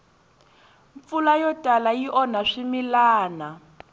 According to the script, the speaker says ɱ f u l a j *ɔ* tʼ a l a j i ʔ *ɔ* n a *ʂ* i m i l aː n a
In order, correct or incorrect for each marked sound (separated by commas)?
correct, correct, correct